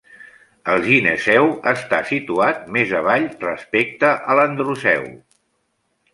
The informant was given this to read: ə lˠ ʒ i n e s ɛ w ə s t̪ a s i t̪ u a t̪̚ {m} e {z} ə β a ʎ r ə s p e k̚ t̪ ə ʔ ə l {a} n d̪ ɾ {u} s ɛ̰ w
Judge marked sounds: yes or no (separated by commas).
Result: yes, yes, no, yes